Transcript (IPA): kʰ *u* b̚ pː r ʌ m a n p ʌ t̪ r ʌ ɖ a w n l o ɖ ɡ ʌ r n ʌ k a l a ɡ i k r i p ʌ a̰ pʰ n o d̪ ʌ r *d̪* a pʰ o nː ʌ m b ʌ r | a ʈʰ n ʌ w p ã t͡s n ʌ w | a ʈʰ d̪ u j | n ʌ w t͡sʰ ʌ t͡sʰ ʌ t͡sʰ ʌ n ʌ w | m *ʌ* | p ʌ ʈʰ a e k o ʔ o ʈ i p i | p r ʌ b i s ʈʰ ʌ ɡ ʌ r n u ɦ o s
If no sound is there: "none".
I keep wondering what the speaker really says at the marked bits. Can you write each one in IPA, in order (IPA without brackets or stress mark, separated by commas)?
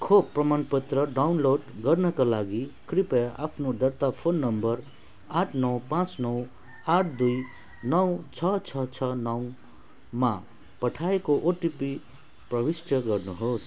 o, t̪, a